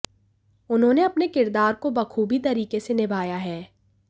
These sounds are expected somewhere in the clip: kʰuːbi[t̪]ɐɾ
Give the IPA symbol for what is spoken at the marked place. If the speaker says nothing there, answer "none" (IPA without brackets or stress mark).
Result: t̪